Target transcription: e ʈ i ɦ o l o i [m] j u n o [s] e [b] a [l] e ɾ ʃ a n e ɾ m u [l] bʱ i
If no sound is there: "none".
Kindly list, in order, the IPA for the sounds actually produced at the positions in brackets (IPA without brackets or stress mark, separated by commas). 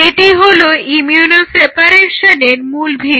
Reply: m, s, p, ɾ, l